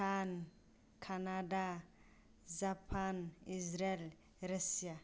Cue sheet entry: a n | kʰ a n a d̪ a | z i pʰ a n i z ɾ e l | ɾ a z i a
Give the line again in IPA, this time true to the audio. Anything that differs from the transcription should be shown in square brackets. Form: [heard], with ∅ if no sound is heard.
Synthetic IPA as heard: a n | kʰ a n a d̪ a | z [a] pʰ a n i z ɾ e l | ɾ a [s] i a